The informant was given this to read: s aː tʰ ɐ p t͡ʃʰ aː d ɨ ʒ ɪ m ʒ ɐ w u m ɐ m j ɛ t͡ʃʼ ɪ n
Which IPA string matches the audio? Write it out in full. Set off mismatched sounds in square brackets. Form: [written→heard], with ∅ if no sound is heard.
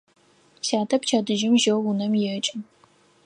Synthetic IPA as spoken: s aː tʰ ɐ p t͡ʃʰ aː d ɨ ʒ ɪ m ʒ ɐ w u [m→n] ɐ m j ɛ t͡ʃʼ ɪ n